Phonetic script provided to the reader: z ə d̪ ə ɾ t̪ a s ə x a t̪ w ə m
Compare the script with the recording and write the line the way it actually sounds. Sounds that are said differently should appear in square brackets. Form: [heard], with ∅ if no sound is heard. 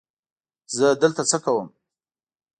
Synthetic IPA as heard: z ə d̪ ə [l] t̪ a [t͡s] ə [k] a [∅] w ə m